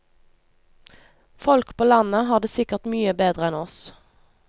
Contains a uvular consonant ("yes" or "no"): yes